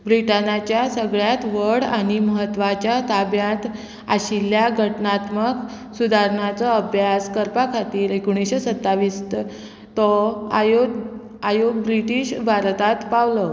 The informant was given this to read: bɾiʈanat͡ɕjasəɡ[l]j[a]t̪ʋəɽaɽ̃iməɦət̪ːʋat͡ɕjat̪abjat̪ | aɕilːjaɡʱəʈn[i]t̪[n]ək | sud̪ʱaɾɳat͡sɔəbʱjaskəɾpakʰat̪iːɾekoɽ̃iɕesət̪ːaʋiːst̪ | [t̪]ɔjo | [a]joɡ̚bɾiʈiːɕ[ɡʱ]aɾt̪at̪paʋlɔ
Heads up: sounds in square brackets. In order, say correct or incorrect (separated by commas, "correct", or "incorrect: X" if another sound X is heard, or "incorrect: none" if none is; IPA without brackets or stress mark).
incorrect: ɭ, correct, incorrect: a, incorrect: m, correct, correct, incorrect: bʱ